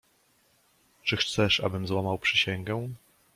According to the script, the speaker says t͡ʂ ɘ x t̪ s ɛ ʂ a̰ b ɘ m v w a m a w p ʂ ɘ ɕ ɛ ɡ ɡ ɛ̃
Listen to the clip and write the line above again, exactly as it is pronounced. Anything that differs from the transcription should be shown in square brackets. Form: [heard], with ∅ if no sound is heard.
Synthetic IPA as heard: t͡ʂ ɘ x t̪ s ɛ ʂ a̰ b ɘ m [z] w a m a w p ʂ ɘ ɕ ɛ [ŋ] ɡ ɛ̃